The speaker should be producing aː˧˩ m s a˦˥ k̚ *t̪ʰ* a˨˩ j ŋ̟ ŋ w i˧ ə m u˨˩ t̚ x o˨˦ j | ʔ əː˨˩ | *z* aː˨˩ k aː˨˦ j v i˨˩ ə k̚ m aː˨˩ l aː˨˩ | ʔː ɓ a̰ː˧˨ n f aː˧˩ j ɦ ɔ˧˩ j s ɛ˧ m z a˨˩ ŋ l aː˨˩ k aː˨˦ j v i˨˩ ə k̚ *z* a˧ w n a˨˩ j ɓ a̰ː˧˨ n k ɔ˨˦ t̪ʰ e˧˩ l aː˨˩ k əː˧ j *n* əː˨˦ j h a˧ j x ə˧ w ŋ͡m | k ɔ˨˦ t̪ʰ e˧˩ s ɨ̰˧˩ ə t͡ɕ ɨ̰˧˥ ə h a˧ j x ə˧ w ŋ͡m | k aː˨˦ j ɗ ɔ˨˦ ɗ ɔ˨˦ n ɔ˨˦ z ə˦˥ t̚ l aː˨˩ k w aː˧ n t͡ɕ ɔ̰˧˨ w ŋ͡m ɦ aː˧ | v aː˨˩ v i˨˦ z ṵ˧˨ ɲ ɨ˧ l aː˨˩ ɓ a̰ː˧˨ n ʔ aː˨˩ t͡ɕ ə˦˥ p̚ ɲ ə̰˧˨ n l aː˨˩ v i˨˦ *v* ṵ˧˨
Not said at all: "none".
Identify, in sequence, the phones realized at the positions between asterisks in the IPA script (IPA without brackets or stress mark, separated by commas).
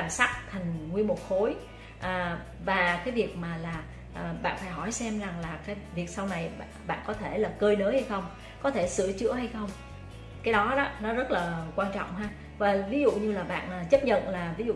t̪ʰ, v, s, n, z